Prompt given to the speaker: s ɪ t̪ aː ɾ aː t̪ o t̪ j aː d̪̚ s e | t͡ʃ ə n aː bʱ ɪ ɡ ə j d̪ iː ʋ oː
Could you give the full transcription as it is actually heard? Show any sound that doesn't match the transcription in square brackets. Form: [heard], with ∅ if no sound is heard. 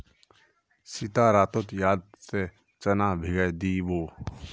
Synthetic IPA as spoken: s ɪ t̪ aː ɾ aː t̪ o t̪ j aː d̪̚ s e | t͡ʃ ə n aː bʱ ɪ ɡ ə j d̪ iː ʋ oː

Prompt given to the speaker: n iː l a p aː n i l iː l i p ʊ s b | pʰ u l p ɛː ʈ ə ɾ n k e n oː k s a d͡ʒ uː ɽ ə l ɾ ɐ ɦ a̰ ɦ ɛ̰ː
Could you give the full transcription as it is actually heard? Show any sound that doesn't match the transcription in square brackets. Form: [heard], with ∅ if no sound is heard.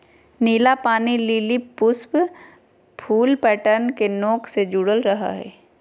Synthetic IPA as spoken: n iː l a p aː n i l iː l i p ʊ s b | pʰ [uː] l p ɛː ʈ ə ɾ n k e n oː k s [e] d͡ʒ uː ɽ ə l ɾ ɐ ɦ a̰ ɦ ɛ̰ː

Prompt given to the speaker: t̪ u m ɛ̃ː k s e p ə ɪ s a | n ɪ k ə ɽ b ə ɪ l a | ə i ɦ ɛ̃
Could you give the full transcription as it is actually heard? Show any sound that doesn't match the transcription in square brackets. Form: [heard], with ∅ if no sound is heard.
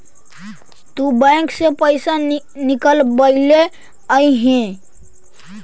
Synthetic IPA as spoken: t̪ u [b] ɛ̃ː k s e p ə ɪ s a | n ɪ k ə [l] b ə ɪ l [e] | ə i ɦ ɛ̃

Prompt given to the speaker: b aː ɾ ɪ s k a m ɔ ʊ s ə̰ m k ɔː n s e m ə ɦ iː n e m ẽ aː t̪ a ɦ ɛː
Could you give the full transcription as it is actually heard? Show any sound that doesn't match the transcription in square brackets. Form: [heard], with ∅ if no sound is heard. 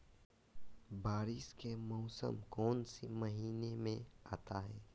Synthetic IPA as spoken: b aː ɾ ɪ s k [e] m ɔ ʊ s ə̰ m k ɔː n s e m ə ɦ iː n e m ẽ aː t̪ a ɦ ɛː

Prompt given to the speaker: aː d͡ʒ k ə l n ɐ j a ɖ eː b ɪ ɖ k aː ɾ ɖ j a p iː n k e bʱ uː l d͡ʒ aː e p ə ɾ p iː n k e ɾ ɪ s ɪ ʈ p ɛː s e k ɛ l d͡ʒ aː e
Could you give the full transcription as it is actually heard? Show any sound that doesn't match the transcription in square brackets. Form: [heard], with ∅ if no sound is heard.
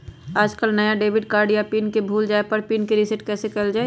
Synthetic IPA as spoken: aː d͡ʒ k ə l n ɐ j a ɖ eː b ɪ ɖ k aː ɾ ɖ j a p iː n k e bʱ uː l d͡ʒ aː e p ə ɾ p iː n k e ɾ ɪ s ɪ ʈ [k] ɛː s e k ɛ l d͡ʒ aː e

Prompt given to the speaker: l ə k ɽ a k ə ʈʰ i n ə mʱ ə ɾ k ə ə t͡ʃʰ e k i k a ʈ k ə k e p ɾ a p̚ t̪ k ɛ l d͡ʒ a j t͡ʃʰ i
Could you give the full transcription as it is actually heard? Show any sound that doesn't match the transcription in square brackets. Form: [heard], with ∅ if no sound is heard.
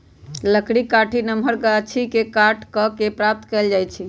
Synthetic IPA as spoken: l ə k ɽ [i] k [a] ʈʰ i n ə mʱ ə ɾ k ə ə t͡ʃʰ [i] k [e] k a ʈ k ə k e p ɾ a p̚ t̪ k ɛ l d͡ʒ a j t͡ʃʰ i

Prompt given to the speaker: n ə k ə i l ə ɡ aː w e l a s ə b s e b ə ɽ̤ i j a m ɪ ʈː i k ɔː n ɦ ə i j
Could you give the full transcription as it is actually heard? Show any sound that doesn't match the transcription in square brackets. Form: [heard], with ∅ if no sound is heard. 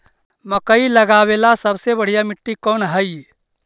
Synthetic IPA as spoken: [m] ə k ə i l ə ɡ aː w e l a s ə b s e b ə ɽ̤ i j a m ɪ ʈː i k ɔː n ɦ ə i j

